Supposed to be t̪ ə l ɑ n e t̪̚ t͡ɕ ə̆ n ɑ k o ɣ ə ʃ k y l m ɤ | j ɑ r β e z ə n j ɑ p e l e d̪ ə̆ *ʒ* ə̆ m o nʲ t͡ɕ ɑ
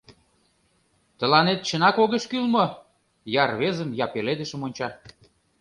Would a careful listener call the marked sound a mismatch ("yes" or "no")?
yes